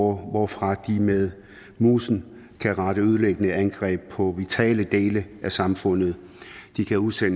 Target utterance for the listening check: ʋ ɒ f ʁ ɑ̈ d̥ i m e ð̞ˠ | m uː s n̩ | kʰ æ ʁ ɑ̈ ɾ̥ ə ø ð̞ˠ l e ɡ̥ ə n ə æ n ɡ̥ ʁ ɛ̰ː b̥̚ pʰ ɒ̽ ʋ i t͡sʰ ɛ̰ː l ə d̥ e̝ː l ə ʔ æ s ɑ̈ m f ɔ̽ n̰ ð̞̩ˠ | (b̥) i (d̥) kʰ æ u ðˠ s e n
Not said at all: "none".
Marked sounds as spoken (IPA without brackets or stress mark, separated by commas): d̥, none